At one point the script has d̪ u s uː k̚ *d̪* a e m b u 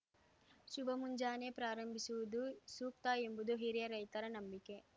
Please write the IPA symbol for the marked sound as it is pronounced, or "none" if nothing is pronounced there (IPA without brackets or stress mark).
t̪